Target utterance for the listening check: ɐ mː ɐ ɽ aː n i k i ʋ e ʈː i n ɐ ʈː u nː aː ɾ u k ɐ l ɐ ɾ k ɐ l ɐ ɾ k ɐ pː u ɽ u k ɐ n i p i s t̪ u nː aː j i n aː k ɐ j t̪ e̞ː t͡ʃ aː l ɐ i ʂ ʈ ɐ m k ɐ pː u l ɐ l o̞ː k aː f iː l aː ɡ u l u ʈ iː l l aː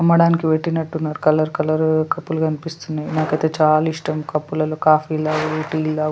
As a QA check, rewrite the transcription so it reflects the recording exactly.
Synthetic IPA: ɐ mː ɐ ɽ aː n i k i ʋ e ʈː i n ɐ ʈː u nː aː ɾ u k ɐ l ɐ ɾ k ɐ l ɐ ɾ k ɐ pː u l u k ɐ n i p i s t̪ u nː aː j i n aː k ɐ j t̪ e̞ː t͡ʃ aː l ɐ i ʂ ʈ ɐ m k ɐ pː u l ɐ l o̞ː k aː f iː l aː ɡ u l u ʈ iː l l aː